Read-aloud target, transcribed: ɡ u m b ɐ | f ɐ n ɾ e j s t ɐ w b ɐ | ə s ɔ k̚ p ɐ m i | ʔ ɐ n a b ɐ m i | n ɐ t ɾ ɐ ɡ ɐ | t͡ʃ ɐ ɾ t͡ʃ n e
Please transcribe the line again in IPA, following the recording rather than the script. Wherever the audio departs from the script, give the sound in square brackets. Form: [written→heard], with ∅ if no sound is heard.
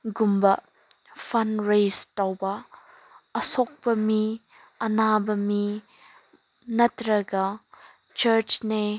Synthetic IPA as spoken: ɡ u m b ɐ | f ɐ n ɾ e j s t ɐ w b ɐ | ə s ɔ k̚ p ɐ m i | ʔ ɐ n a b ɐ m i | n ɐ t ɾ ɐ ɡ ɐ | t͡ʃ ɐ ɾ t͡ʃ n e